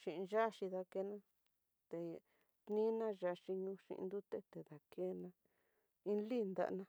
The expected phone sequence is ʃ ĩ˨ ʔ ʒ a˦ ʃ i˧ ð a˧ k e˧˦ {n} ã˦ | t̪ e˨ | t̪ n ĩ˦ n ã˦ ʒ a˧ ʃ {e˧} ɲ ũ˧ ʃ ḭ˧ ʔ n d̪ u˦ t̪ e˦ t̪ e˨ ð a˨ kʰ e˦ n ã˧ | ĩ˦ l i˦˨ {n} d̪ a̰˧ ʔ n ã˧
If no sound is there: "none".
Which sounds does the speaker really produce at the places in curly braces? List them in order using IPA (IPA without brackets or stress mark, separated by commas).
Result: n, i˧, n